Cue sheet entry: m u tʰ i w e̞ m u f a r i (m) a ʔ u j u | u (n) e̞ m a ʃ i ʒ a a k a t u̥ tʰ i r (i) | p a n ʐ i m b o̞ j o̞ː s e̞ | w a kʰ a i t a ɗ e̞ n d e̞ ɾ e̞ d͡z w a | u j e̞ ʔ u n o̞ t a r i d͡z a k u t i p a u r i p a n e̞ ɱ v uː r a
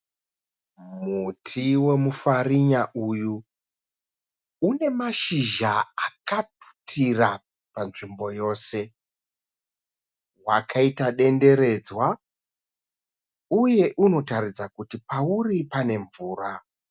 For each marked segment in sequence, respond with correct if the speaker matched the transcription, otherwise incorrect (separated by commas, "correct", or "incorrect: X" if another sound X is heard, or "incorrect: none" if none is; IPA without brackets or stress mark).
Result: incorrect: ɲ, correct, incorrect: a